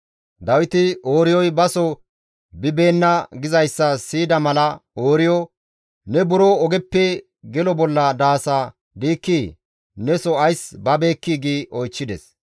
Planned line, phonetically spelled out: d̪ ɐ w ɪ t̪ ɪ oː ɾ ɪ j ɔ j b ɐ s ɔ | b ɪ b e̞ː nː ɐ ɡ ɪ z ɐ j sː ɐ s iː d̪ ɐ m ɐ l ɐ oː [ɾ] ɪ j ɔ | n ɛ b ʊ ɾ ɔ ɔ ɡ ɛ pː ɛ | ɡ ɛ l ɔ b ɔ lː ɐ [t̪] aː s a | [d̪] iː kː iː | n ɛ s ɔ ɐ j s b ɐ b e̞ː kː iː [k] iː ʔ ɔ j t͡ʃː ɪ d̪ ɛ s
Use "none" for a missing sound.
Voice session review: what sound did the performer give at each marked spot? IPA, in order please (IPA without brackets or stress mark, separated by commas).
ɾ, d̪, d̪, ɡ